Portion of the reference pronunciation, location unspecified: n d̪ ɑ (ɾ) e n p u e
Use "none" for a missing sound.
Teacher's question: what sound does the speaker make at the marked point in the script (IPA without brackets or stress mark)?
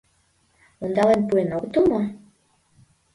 l